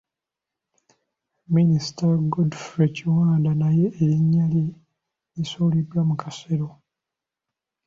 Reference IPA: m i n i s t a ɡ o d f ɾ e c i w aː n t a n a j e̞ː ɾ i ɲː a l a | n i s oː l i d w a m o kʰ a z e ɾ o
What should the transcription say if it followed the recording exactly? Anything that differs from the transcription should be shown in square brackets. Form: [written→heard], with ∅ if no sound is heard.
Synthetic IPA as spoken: m i n i s t a ɡ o d f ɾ e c i w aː n [t→d] a n a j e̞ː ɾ i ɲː a l [a→i] | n i s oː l i d w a m [o→u] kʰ a [z→s] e ɾ o